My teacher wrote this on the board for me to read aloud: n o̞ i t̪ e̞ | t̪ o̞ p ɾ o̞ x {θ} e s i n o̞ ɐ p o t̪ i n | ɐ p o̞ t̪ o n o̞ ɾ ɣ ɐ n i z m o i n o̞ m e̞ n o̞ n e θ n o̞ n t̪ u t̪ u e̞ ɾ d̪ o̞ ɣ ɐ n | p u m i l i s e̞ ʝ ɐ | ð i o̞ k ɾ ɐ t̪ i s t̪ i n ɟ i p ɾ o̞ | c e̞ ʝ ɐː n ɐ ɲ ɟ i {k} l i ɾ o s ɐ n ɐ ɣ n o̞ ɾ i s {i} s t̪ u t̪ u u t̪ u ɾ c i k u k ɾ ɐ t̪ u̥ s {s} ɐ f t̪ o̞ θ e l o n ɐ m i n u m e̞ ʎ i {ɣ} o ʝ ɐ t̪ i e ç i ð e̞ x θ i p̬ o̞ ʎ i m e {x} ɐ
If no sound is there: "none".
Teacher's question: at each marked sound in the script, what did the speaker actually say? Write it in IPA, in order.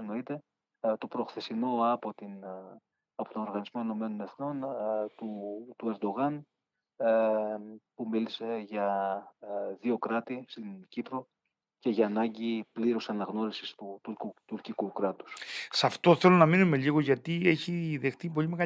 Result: θ, p, i, s, ɣ, ɣ

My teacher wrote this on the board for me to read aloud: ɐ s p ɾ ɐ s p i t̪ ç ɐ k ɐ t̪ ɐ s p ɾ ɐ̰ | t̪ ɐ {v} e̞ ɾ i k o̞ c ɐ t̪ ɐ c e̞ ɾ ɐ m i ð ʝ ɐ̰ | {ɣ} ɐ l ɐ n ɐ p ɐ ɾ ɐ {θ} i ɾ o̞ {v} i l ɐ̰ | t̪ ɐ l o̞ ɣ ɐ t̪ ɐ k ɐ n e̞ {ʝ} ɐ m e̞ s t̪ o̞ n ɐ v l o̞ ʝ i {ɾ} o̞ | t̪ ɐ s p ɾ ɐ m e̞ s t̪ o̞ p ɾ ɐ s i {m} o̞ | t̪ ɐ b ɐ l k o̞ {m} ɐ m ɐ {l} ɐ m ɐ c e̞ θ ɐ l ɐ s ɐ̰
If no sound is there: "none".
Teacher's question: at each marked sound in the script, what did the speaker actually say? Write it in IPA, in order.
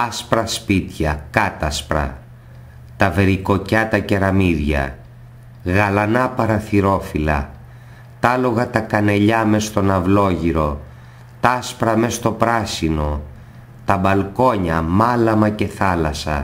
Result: v, ɣ, θ, f, ʎ, ɾ, n, ɲ, l

